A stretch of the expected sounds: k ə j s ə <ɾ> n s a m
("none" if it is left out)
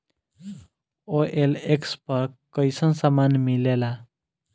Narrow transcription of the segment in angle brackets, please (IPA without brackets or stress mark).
none